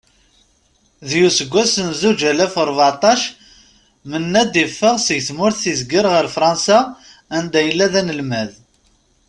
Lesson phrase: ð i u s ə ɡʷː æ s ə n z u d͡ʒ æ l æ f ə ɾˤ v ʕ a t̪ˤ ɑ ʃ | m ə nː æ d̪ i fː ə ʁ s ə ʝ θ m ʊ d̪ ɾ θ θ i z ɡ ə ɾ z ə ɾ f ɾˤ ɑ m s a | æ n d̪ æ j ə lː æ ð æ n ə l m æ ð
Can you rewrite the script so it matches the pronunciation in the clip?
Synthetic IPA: ð j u s ə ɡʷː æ s ə n z u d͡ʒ æ l æ f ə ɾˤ v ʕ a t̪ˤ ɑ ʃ | m ə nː æ d̪ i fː ə ʁ s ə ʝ θ m ʊ ɾ θ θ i z ɡ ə ɾ ʁ ə ɾ f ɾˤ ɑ n s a | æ n d̪ æ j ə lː æ ð æ n ə l m æ ð